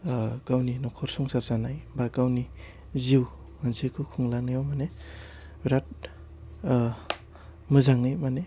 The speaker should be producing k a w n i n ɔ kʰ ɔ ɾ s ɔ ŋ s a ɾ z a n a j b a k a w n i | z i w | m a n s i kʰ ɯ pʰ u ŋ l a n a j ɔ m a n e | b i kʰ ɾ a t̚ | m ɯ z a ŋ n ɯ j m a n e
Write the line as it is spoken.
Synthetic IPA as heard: k a w n i n ɔ kʰ ɔ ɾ s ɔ ŋ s a ɾ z a n a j b a k a w n i | z i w | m a n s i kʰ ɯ kʰ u ŋ l a n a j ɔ m a n e | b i ɾ a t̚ | m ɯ z a ŋ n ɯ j m a n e